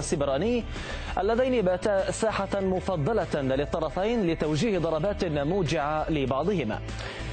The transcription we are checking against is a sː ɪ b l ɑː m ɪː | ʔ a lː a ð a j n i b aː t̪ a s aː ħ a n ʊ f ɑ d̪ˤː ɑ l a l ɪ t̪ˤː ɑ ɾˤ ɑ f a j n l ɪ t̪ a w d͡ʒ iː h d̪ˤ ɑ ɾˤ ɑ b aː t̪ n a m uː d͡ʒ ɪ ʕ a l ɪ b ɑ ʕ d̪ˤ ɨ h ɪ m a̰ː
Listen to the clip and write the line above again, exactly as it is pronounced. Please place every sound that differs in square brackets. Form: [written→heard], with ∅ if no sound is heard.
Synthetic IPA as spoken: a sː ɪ b [l→ɾ] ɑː [m→n] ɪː | ʔ a lː a ð a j n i b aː t̪ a s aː ħ a [n→m] ʊ f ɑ d̪ˤː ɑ l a l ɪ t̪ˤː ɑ ɾˤ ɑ f a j n l ɪ t̪ a w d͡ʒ iː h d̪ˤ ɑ ɾˤ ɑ b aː t̪ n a m uː d͡ʒ ɪ ʕ a l ɪ b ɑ ʕ d̪ˤ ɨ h ɪ m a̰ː